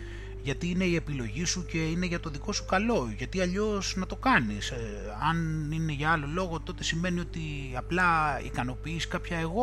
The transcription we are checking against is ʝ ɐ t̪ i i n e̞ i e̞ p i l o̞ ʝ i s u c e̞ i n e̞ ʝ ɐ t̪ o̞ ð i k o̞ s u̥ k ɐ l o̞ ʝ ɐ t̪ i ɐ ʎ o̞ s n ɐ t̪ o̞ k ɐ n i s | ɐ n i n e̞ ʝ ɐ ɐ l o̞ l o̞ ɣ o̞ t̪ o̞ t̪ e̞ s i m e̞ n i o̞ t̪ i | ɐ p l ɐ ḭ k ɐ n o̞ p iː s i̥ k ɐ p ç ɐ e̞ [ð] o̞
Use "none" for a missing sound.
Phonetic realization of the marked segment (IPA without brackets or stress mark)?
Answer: ɣ